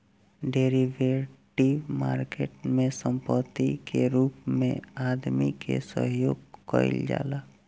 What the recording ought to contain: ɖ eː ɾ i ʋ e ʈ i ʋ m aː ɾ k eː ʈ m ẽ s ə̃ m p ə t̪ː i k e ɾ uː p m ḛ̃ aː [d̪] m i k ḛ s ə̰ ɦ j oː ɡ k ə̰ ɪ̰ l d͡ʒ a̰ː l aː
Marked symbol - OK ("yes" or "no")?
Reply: yes